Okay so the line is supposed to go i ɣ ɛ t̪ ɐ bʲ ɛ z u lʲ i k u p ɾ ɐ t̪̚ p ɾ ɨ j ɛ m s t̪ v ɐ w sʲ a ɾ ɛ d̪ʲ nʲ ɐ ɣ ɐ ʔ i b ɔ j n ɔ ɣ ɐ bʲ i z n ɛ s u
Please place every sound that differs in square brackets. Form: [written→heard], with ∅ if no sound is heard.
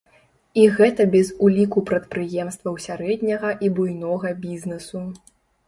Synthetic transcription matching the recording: i ɣ ɛ t̪ ɐ bʲ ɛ z u lʲ i k u p ɾ ɐ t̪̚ p ɾ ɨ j ɛ m s t̪ v ɐ w sʲ a ɾ ɛ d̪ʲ nʲ ɐ ɣ ɐ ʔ i b [ɔ→u] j n ɔ ɣ ɐ bʲ i z n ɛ s u